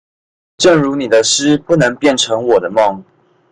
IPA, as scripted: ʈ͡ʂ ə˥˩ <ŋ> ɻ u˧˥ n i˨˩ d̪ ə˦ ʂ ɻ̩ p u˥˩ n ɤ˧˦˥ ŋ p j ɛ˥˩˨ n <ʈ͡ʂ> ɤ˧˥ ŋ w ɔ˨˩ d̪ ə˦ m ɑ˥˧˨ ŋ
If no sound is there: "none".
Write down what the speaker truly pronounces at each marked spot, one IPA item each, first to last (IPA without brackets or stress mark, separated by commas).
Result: ŋ, ʈ͡ʂʰ